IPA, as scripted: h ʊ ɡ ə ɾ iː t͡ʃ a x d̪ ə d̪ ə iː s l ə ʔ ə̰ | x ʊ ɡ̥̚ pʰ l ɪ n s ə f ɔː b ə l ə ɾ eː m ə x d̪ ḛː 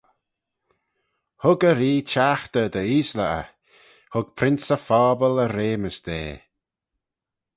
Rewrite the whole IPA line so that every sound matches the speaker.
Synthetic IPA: h ʊ ɡ ə ɾ iː t͡ʃ a x t̪ ə d̪ ə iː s l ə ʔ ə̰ | h ʊ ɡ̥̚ pʰ ɾ ɪ n s ə f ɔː b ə l ə ɾ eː m ə s d̪ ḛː